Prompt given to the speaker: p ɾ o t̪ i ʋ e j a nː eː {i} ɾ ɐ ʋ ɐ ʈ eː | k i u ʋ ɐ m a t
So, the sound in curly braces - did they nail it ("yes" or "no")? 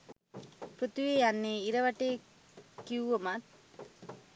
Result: yes